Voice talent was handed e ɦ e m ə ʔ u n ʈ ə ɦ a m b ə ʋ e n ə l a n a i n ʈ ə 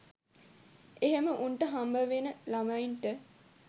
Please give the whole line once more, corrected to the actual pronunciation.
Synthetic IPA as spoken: e ɦ e m ə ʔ u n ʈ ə ɦ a m b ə ʋ e n ə l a m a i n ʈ ə